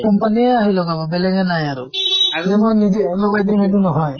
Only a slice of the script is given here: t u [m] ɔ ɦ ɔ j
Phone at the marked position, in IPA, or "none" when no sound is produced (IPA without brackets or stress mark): n